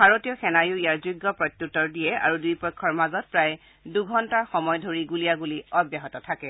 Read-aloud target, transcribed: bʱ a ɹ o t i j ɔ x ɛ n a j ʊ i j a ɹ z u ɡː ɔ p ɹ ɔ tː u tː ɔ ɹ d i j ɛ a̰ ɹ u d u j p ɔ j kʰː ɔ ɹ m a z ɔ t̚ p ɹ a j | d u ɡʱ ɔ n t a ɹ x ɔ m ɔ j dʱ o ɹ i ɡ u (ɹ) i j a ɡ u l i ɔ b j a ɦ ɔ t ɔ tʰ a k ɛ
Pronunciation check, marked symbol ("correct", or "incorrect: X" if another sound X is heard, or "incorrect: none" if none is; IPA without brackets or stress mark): incorrect: l